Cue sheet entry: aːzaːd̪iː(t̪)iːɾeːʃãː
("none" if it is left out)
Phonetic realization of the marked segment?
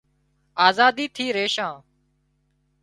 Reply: t̪ʰ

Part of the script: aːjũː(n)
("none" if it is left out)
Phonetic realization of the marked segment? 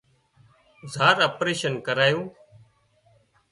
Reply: none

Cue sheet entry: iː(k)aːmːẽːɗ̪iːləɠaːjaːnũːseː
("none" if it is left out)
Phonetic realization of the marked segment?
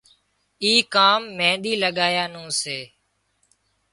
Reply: k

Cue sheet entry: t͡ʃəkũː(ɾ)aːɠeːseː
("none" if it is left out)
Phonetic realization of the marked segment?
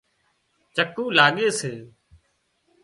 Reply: l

